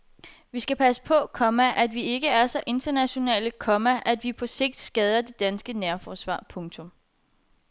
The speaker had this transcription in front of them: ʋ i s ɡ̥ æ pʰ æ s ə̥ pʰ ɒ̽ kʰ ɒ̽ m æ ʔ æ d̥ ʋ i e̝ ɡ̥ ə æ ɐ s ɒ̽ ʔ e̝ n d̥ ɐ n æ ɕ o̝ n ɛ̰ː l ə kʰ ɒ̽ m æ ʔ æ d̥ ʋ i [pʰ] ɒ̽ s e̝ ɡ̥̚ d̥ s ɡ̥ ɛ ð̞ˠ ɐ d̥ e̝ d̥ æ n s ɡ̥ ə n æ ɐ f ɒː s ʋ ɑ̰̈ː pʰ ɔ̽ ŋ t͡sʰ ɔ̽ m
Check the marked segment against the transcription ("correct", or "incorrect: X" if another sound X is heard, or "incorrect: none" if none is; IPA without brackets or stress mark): correct